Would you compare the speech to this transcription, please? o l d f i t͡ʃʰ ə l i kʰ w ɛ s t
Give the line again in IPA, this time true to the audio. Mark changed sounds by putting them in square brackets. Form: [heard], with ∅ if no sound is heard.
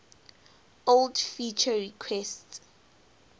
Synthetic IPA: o l d f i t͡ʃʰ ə [ɹ] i kʰ w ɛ s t

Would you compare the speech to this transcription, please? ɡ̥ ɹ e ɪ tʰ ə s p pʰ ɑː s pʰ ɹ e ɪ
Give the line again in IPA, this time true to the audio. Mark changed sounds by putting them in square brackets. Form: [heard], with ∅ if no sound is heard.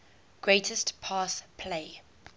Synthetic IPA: ɡ̥ ɹ e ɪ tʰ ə s [t] pʰ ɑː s pʰ [l] e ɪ

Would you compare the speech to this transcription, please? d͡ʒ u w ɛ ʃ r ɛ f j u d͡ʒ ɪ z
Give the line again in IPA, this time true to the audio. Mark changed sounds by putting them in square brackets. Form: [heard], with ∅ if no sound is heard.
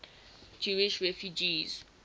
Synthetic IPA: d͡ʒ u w [i] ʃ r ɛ f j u d͡ʒ [i] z

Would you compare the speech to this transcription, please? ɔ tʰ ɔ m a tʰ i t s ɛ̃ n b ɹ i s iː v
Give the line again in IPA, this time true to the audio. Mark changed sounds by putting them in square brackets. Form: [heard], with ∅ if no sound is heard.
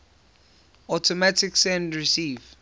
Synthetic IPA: ɔ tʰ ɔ m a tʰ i [k] s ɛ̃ n [d] ɹ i s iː v

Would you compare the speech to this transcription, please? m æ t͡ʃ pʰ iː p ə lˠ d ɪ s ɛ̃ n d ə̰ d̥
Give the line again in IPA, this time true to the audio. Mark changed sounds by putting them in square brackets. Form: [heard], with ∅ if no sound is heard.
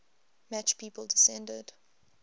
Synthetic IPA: m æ t͡ʃ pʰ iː p ə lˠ d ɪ s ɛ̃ n d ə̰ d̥

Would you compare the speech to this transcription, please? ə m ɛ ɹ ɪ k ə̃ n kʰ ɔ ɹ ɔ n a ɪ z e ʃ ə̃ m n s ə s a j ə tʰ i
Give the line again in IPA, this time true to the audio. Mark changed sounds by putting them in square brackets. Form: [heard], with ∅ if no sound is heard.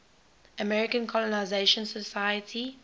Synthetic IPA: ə m ɛ ɹ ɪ k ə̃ n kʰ ɔ [l] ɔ n a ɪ z e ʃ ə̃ [∅] n s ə s a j ə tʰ i

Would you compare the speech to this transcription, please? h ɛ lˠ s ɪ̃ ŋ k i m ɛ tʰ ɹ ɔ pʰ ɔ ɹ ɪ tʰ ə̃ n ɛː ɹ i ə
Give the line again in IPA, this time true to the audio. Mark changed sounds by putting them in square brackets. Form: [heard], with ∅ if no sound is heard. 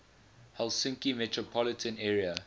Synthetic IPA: h ɛ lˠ s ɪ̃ ŋ k i m ɛ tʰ ɹ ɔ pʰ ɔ [l] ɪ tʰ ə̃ n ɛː ɹ i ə

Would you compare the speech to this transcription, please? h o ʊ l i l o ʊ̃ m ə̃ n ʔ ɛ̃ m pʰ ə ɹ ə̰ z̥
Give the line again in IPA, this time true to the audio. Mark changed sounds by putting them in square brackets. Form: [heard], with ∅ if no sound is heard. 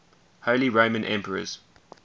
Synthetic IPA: h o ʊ l i [ɹ] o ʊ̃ m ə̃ n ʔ ɛ̃ m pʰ ə ɹ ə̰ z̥

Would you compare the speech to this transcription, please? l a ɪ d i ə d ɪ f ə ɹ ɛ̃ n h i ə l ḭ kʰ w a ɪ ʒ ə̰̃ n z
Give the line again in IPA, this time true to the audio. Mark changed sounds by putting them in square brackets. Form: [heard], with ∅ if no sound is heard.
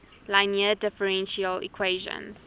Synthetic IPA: l a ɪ [n] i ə d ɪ f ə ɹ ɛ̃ n [ʃ] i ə l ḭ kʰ w [e] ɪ ʒ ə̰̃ n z

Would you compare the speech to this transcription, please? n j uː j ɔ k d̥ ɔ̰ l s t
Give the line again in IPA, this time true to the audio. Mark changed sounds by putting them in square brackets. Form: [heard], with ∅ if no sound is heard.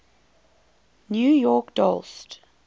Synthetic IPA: n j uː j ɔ k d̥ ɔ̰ l s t

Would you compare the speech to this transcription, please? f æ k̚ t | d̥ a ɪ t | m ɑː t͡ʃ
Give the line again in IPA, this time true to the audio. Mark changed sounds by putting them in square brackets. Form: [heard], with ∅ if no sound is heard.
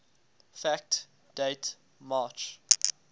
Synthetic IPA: f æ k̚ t | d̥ [e] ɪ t | m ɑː t͡ʃ

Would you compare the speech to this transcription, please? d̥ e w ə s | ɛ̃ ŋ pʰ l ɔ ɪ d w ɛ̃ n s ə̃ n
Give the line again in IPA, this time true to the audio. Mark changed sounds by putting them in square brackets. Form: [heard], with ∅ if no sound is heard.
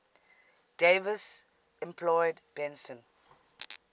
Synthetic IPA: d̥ e [v] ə s | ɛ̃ [m] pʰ l ɔ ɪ d [b] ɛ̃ n s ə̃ n

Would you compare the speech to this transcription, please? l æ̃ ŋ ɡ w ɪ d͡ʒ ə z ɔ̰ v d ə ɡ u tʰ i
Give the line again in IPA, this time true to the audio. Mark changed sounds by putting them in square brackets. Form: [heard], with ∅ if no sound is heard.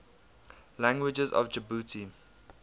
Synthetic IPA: l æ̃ ŋ ɡ w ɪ d͡ʒ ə z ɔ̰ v [d͡ʒ] ə [b] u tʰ i

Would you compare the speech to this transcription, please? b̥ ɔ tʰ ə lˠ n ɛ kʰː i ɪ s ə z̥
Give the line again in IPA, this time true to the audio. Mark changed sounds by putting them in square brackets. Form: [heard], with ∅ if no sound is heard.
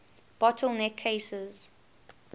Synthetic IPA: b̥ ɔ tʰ ə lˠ n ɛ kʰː [e] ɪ s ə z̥

